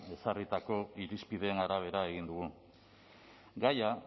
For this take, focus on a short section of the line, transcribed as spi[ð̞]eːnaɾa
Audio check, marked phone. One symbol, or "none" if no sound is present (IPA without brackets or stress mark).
ð̞